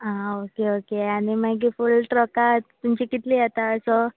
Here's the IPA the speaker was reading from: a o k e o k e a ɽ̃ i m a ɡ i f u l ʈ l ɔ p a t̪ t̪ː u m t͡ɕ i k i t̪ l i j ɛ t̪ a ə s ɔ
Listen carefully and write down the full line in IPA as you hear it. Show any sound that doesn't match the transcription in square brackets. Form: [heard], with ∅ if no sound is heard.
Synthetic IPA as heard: a o k e o k e a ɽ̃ i m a ɡ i f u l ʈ [ɾ] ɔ [k] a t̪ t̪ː u m t͡ɕ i k i t̪ l i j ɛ t̪ a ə s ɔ